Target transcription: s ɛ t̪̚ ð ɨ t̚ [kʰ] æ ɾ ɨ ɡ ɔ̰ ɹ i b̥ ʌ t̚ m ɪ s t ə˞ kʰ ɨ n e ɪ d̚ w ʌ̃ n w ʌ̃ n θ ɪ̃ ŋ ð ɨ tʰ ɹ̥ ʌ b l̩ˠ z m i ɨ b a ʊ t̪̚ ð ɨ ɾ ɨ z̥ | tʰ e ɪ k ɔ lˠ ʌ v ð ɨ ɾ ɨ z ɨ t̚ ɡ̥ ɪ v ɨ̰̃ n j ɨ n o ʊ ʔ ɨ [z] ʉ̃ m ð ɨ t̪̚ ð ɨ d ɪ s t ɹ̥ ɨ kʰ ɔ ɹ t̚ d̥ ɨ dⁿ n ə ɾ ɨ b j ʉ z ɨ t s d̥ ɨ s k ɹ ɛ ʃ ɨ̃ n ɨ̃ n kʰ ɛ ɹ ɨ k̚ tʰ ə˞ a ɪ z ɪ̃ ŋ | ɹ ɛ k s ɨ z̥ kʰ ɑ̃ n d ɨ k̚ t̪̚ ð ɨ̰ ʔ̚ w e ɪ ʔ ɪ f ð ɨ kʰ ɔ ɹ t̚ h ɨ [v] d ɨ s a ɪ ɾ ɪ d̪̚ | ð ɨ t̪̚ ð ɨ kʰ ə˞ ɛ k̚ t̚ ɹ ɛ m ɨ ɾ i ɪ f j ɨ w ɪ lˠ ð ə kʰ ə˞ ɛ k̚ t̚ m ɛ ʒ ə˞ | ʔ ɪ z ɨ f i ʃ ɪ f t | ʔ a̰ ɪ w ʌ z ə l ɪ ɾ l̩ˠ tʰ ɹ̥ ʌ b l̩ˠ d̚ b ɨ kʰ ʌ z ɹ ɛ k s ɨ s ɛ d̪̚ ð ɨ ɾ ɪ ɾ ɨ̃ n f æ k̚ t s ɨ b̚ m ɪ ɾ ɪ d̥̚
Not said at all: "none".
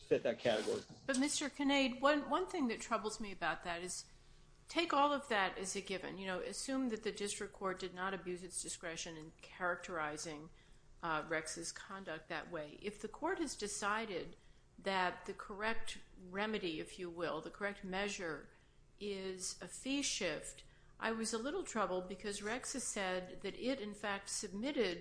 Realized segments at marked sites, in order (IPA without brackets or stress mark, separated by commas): kʰ, s, z